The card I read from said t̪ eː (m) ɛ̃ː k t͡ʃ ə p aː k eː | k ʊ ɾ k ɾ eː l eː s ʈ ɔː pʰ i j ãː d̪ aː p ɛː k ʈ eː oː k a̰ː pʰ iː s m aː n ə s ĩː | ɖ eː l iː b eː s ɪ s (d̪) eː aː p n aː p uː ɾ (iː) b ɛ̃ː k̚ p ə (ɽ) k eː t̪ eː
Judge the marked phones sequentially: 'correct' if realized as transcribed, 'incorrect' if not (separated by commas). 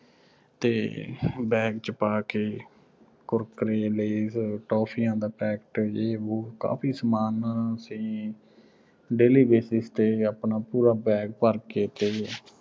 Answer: incorrect, incorrect, incorrect, incorrect